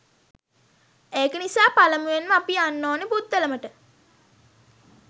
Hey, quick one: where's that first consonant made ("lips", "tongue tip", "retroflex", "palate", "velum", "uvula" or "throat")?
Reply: velum